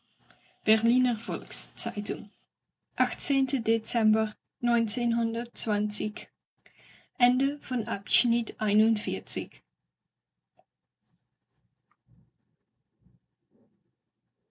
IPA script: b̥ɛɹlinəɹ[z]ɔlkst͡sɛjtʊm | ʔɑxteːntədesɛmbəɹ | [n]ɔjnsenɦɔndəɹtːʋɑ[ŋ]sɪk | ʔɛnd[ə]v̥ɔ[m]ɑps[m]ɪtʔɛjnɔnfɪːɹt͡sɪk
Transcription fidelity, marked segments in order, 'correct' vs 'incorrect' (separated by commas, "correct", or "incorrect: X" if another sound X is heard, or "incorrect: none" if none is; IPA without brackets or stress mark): incorrect: v, correct, incorrect: n, correct, incorrect: n, incorrect: n